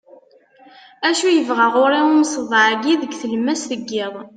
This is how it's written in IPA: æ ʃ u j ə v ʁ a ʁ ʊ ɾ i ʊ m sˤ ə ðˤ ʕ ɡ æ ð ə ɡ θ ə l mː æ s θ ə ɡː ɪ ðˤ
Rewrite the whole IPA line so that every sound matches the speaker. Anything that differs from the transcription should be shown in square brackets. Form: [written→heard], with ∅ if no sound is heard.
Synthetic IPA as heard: æ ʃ u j ə v ʁ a ʁ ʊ ɾ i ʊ m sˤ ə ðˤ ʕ ɡ [æ→i] ð ə ɡ θ ə l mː æ s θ ə ɡː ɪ ðˤ